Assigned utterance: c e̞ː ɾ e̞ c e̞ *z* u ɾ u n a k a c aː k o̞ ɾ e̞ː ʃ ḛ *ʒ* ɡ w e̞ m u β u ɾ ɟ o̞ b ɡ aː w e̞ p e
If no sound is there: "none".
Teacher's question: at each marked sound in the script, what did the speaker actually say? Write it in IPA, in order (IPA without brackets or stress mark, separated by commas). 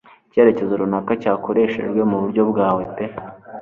z, ʒ